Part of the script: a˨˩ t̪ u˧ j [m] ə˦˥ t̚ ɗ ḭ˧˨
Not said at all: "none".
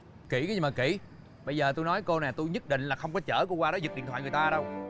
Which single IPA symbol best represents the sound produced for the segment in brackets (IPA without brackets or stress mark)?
ɲ